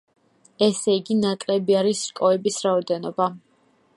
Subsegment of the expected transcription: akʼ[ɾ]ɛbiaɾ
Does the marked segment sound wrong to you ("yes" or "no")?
yes